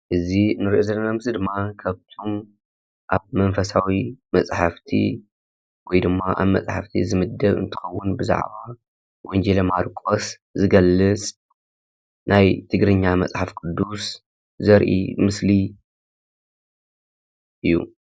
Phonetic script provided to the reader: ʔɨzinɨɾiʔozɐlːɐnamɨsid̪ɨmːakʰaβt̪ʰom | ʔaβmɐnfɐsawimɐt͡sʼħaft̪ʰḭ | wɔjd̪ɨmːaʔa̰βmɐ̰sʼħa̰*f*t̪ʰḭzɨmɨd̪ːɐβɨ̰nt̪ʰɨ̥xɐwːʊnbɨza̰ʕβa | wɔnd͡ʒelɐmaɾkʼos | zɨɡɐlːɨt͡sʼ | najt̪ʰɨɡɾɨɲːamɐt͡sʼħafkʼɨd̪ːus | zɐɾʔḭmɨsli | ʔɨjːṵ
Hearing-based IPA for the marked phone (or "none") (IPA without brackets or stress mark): f